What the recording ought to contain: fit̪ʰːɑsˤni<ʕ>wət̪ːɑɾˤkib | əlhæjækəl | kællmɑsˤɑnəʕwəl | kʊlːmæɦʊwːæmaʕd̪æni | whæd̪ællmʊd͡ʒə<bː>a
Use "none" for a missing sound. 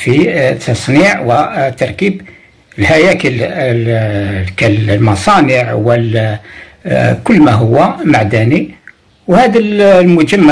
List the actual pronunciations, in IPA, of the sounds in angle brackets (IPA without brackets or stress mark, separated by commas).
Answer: ʕ, mː